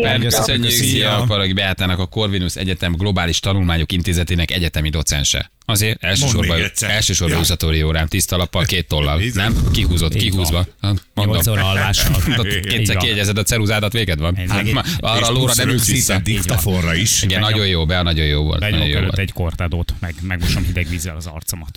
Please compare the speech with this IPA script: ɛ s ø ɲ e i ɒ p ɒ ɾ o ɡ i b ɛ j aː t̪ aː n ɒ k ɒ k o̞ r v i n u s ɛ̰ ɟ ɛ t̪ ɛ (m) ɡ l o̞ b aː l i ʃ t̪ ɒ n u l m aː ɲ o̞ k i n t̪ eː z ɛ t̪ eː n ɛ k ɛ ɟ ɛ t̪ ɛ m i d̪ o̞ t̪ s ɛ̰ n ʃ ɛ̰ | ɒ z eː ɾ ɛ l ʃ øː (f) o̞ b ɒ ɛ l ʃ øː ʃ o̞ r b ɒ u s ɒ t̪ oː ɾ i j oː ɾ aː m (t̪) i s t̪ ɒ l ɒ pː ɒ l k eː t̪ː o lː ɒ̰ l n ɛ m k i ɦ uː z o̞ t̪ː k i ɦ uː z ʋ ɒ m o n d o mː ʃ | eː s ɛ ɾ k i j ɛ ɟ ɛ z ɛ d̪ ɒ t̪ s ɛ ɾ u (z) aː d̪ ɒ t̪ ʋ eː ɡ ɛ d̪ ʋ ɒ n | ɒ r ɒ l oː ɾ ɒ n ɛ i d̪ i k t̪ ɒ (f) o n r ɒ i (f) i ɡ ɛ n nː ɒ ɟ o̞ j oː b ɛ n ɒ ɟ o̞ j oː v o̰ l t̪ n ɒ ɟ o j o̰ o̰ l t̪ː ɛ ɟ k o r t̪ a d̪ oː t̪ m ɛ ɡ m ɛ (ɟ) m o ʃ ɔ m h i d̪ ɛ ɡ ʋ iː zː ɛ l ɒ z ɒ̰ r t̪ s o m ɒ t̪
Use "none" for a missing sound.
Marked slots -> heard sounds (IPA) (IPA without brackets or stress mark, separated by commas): m, ʃ, t̪, z, f, ʃ, ɡ